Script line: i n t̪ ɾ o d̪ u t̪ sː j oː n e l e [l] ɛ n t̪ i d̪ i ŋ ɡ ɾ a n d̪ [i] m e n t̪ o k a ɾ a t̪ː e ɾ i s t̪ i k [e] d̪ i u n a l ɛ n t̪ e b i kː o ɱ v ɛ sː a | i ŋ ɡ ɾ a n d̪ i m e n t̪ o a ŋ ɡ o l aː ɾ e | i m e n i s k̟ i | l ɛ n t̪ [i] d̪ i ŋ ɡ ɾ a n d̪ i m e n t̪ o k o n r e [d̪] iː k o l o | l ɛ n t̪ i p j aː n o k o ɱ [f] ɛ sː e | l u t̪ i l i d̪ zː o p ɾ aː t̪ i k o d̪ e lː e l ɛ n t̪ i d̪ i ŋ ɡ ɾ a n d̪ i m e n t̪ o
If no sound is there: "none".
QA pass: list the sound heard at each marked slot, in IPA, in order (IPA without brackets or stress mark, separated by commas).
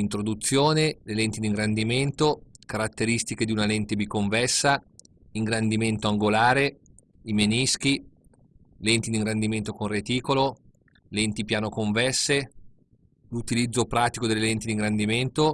l, i, e, i, t̪, v